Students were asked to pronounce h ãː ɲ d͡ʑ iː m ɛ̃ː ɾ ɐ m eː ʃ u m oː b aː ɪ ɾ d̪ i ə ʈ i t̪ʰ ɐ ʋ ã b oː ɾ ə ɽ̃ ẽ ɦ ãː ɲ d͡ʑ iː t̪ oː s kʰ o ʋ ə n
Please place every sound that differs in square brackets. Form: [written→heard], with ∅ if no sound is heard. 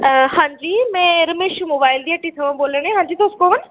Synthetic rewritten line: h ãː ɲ d͡ʑ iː m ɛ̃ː ɾ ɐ m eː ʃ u m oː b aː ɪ [ɾ→l] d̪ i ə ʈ i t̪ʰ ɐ ʋ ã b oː [ɾ→l] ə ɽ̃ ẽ ɦ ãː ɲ d͡ʑ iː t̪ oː s [kʰ→k] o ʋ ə n